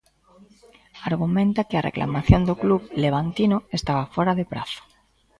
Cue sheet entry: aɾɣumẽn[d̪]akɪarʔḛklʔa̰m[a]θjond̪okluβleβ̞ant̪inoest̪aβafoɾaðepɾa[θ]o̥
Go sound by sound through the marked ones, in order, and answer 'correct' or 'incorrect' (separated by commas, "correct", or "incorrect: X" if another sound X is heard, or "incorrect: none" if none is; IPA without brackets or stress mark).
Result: incorrect: t̪, correct, correct